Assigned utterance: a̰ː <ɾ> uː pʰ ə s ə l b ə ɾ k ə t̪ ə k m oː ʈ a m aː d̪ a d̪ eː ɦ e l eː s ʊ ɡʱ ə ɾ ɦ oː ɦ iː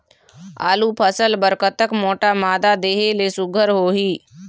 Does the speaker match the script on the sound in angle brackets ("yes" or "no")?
no